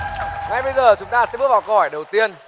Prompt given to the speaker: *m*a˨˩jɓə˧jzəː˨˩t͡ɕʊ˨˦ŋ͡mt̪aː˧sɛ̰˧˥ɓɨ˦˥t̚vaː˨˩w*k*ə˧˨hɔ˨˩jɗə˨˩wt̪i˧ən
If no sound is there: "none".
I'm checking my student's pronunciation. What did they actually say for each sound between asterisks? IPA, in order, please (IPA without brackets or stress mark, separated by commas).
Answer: ŋ, k